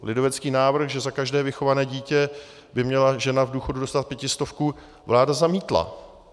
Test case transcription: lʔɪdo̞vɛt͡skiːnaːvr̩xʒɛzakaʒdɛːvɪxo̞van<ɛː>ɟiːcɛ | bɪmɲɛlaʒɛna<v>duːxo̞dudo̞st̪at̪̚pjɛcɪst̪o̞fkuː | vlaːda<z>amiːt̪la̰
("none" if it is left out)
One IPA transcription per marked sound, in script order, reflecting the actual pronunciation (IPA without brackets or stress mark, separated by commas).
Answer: ɛː, v, z